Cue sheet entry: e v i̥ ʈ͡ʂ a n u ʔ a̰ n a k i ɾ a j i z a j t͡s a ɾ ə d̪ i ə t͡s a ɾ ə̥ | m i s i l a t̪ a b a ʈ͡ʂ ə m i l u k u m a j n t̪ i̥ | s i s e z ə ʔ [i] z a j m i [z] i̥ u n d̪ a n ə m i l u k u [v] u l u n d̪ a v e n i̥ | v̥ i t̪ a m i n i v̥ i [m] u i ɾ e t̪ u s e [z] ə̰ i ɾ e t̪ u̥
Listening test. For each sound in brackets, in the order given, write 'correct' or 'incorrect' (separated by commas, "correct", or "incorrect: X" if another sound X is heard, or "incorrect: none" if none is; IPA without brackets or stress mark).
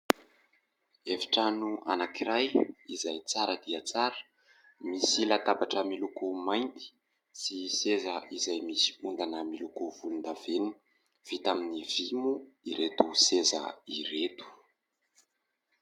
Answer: correct, incorrect: s, correct, correct, correct